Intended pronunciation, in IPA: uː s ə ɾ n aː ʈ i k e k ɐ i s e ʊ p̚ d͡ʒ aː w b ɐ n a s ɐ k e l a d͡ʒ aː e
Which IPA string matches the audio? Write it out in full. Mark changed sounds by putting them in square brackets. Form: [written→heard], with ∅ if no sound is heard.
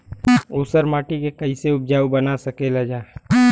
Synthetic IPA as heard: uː s ə ɾ [n→m] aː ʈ i k e k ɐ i s e ʊ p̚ d͡ʒ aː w b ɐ n a s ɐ k e l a d͡ʒ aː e